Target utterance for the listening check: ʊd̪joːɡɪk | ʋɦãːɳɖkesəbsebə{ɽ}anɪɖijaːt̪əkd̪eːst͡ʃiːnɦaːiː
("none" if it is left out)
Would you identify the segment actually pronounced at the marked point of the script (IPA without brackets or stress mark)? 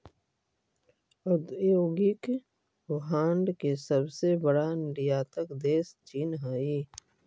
ɽ